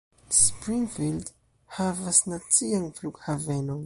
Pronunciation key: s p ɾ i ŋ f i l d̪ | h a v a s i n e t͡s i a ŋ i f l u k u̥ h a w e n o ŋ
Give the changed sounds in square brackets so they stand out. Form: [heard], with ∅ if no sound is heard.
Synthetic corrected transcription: s p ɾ i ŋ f i l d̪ | h a v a s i n [a] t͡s i a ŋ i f l u k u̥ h a [v] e n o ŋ